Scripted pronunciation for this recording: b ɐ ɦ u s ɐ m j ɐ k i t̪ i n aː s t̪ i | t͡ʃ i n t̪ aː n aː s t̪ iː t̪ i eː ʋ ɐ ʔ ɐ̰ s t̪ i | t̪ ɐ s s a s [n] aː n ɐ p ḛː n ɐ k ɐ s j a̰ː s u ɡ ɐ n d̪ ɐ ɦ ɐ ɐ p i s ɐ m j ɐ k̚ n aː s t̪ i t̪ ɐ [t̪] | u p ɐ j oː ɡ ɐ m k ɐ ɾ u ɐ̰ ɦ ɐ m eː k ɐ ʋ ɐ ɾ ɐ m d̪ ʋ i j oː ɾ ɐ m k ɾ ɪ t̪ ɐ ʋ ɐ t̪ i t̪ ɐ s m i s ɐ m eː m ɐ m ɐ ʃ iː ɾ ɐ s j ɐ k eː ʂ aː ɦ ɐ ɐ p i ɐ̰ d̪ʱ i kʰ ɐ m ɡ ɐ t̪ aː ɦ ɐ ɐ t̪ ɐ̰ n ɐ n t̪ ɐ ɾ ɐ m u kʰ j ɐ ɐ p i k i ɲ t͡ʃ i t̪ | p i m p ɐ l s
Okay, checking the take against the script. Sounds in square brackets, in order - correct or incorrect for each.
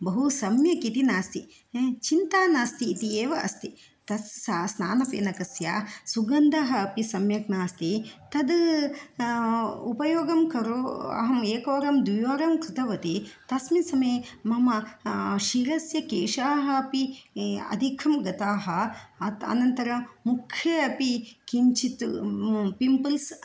correct, incorrect: d̪

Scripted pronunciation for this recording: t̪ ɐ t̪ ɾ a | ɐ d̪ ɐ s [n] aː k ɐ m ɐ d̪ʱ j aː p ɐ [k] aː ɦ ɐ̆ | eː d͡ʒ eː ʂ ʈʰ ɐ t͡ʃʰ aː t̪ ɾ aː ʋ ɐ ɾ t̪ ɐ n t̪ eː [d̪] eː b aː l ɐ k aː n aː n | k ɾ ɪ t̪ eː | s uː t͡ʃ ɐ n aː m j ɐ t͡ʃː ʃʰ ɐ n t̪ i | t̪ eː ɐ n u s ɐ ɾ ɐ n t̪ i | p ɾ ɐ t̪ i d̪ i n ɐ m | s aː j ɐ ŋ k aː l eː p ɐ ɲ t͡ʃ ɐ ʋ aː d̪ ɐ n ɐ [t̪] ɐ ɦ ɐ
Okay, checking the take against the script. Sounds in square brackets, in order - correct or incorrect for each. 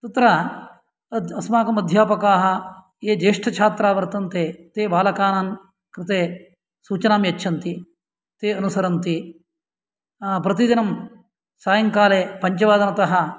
incorrect: m, correct, incorrect: t̪, correct

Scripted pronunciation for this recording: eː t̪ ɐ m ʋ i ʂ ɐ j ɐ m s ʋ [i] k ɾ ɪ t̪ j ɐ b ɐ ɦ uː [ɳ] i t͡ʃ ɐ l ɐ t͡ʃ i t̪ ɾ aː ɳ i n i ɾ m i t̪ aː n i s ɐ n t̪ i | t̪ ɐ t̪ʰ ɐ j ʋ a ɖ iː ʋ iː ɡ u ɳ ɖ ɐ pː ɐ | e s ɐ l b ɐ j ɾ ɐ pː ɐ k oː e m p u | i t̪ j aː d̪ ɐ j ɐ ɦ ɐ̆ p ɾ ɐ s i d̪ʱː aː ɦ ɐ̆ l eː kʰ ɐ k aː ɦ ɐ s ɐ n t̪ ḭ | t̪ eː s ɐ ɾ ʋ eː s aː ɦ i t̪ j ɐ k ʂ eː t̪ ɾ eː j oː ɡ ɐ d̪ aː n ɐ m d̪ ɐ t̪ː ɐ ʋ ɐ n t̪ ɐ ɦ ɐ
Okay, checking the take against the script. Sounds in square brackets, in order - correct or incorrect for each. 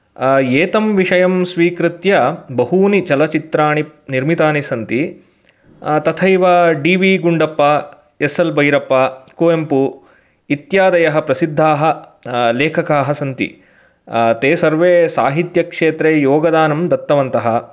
incorrect: iː, incorrect: n

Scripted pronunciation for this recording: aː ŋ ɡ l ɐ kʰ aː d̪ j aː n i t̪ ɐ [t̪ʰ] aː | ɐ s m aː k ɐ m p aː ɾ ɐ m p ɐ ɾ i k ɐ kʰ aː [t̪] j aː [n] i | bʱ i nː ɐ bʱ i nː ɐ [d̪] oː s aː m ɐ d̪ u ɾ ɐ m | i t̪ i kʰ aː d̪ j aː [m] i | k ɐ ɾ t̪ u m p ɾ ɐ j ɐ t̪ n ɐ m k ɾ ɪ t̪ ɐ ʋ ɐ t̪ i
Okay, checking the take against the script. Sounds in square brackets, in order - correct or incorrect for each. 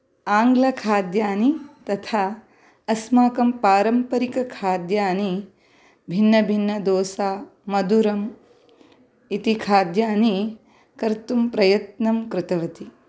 correct, incorrect: d̪, correct, correct, incorrect: n

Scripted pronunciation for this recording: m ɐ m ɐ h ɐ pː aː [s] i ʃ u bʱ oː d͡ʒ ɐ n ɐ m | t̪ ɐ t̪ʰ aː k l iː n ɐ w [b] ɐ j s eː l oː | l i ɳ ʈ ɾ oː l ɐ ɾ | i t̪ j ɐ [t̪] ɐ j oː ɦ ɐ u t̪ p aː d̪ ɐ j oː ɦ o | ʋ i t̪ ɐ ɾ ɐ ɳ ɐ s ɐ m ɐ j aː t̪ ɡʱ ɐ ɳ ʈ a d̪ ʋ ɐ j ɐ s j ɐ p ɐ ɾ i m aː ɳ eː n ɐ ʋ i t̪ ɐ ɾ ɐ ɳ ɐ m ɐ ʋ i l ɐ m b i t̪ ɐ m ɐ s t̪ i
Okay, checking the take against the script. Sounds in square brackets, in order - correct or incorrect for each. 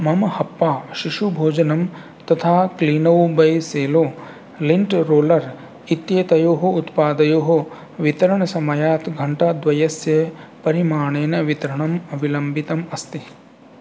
incorrect: ʃ, correct, correct

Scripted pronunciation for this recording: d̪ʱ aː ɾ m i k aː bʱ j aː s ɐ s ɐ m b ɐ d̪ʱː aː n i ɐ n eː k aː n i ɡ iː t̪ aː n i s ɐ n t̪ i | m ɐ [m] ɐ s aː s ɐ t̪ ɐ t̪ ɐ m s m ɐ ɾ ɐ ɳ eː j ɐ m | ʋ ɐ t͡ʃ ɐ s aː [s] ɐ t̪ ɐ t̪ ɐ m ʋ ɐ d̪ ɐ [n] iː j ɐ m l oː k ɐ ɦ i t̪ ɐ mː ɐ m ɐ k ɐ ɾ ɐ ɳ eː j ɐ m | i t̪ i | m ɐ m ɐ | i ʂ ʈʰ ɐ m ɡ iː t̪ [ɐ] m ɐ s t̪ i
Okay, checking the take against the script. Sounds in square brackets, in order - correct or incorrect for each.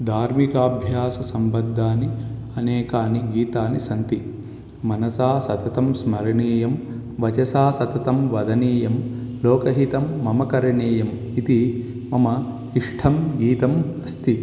incorrect: n, correct, correct, correct

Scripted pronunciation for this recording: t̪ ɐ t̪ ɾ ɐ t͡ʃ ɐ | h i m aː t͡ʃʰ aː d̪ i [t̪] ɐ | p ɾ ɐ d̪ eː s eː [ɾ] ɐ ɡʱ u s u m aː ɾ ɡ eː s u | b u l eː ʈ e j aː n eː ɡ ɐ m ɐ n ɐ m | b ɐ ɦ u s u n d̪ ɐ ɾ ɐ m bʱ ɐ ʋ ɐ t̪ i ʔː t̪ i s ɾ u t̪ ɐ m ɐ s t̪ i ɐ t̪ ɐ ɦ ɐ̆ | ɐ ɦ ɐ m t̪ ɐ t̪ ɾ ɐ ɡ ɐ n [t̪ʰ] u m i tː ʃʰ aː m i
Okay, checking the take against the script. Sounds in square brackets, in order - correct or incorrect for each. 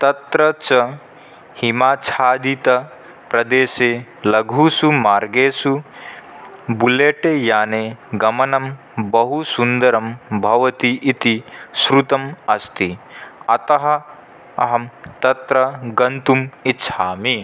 correct, incorrect: l, incorrect: t̪

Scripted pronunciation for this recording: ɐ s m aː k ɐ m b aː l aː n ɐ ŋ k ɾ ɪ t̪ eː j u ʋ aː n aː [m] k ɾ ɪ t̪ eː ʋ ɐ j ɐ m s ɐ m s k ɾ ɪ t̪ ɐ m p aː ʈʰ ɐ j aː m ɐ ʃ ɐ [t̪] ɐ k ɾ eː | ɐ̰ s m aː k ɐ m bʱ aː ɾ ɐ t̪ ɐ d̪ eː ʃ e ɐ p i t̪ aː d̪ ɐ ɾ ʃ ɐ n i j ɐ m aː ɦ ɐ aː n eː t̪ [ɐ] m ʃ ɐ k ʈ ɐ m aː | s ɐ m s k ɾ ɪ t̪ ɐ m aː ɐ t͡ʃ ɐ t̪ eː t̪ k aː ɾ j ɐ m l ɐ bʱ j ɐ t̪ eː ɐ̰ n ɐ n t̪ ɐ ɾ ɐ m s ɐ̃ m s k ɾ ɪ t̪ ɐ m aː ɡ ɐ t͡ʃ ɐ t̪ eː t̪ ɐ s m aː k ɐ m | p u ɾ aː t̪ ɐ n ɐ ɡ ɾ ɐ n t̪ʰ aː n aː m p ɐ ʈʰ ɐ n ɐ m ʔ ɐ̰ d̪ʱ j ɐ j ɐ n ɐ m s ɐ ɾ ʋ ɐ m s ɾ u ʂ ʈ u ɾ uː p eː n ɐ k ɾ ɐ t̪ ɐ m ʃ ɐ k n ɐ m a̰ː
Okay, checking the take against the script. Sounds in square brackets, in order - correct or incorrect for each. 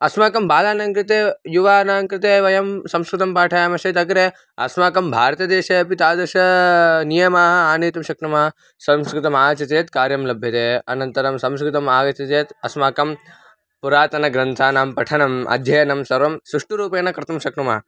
incorrect: ŋ, correct, correct

